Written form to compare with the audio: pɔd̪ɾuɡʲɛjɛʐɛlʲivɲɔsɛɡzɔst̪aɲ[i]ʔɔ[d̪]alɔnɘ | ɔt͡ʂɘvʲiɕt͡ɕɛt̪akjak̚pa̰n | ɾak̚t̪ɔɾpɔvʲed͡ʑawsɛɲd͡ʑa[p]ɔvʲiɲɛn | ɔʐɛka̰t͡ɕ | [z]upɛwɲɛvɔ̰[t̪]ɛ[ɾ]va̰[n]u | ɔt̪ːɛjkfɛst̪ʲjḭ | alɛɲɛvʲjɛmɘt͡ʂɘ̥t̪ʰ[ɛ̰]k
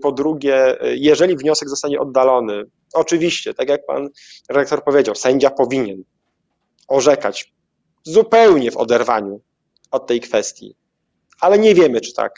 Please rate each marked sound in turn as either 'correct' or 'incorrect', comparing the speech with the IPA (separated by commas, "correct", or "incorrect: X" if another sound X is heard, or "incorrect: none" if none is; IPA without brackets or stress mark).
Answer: incorrect: ɛ, incorrect: d̪ː, correct, correct, incorrect: d̪, correct, incorrect: ɲ, incorrect: a̰